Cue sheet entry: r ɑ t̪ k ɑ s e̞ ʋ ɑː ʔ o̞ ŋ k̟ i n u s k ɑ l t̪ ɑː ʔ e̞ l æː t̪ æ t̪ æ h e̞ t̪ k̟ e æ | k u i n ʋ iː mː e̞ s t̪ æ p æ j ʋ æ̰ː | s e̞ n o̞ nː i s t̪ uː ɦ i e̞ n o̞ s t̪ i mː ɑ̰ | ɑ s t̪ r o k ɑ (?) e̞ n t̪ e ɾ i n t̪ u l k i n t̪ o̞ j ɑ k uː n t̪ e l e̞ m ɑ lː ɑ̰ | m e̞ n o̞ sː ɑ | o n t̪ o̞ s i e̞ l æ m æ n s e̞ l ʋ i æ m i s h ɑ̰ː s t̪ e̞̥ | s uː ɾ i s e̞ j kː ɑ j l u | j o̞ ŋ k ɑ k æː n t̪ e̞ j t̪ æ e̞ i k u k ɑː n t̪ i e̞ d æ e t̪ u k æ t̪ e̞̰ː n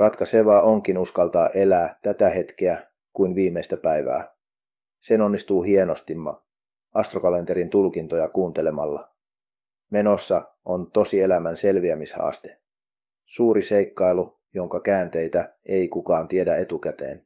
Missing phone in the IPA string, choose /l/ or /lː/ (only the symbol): l